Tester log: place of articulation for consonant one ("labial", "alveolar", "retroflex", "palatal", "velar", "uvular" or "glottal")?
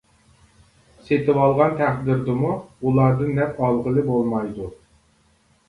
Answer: alveolar